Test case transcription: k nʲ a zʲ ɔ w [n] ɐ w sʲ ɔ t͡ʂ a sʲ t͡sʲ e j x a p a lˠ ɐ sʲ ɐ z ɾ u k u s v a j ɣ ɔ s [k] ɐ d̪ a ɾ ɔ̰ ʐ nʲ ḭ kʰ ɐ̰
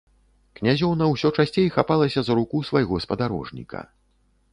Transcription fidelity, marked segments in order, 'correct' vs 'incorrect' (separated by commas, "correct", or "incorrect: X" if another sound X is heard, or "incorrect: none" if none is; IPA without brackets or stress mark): correct, incorrect: p